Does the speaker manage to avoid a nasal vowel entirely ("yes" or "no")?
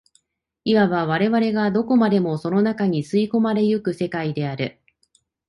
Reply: yes